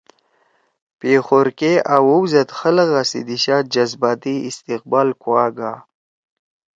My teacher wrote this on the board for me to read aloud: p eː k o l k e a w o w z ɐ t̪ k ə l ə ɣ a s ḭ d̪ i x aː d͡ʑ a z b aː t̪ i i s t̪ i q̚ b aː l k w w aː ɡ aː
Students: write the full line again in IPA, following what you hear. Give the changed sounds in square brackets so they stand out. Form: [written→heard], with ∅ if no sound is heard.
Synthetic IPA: p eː [k→x] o [l→ɾ] k e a w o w z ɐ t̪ [k→x] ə l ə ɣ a s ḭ d̪ i [x→ɕ] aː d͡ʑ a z b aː t̪ i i s t̪ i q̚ b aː l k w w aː ɡ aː